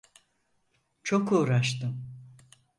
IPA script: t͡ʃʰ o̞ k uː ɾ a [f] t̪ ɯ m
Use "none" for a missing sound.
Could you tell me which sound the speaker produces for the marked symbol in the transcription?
ʃ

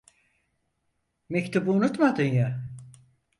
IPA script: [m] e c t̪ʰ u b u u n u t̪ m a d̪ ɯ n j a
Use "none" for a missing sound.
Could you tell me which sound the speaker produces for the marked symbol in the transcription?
m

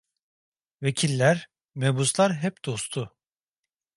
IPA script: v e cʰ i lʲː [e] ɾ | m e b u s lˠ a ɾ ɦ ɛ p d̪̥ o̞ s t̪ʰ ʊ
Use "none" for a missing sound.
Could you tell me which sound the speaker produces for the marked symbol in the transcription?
æ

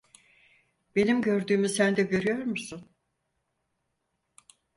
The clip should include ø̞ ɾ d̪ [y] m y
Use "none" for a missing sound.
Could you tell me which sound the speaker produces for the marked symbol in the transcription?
yː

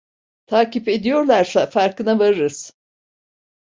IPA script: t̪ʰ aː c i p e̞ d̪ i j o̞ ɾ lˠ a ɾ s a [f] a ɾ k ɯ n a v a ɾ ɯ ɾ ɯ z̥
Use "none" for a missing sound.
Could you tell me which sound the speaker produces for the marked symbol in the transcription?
f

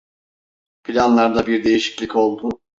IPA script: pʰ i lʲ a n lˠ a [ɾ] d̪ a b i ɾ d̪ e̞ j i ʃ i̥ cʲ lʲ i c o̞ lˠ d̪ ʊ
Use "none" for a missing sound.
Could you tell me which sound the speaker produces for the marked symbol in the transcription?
ɾ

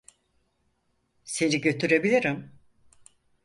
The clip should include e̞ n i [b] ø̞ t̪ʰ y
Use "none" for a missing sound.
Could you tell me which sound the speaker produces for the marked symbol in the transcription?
ɟ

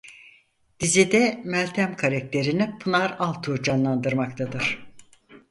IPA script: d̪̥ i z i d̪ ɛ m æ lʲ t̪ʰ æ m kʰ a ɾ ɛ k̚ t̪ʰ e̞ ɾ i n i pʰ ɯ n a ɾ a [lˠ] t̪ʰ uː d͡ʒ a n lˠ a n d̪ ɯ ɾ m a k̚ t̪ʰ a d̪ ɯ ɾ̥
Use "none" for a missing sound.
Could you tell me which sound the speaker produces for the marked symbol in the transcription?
lˠ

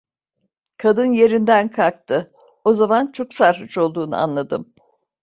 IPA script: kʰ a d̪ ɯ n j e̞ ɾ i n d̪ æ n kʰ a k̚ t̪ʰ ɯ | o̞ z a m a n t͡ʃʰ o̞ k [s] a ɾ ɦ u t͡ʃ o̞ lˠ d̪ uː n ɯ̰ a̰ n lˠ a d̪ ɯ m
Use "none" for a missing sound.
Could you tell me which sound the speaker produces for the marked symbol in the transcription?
s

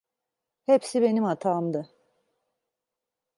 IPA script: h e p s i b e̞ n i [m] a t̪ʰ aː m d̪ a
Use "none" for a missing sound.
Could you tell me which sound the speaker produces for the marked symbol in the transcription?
m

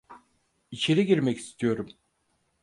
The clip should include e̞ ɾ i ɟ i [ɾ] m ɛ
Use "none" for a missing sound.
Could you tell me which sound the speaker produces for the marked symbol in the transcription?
ɾ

